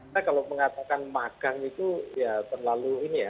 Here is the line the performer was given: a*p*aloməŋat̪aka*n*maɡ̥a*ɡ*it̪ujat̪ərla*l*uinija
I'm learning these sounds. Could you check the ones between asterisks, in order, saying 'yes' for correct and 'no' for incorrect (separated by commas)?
no, yes, no, yes